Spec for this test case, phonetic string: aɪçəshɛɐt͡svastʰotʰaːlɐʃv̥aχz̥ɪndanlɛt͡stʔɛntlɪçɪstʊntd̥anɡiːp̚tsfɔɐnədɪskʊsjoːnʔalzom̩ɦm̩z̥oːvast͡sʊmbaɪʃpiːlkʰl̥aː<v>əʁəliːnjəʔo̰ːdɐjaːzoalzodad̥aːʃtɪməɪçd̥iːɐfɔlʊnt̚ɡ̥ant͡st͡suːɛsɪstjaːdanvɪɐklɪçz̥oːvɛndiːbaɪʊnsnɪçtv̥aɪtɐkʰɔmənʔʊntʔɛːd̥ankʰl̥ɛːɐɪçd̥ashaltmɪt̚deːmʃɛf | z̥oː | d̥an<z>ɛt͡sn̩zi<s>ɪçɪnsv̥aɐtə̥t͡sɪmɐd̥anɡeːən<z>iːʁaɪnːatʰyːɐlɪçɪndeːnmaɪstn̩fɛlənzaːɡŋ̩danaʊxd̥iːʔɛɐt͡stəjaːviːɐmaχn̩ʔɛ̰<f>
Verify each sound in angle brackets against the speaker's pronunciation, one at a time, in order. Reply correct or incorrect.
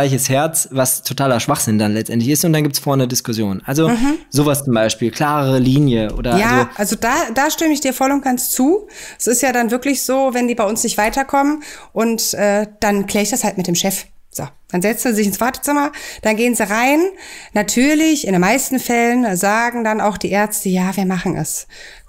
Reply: incorrect, correct, incorrect, correct, incorrect

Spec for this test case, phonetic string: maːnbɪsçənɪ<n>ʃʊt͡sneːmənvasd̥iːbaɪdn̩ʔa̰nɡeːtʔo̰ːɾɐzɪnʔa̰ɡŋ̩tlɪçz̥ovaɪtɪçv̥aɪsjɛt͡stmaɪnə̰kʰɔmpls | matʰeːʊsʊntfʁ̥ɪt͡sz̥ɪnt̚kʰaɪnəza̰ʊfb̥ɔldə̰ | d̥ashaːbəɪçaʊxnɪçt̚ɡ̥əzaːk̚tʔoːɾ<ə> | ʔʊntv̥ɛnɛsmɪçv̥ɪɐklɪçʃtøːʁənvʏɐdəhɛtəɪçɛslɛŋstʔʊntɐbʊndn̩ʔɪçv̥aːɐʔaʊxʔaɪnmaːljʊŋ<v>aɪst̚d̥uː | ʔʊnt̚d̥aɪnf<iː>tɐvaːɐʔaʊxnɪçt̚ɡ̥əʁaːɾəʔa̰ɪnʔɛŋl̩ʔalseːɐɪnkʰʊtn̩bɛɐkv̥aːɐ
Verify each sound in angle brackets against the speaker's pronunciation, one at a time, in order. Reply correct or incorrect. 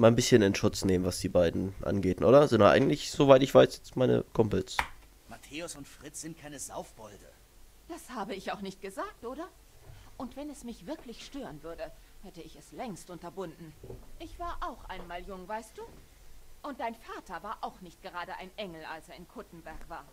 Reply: correct, incorrect, correct, incorrect

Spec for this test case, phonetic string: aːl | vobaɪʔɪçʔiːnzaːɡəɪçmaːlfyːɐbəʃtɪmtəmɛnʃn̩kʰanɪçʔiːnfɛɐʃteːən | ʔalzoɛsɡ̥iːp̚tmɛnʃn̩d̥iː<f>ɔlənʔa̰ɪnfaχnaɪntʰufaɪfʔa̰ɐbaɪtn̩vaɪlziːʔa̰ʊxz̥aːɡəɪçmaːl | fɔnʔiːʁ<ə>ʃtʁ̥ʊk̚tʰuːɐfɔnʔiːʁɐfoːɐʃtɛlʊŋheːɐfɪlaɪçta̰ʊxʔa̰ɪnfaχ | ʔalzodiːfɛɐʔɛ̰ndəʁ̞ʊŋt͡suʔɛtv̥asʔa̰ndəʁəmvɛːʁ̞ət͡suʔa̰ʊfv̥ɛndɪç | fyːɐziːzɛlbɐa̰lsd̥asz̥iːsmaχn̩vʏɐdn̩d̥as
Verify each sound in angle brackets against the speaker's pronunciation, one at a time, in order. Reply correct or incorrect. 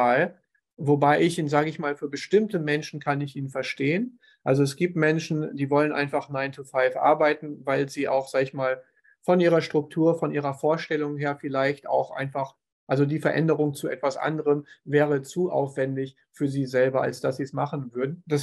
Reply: incorrect, incorrect

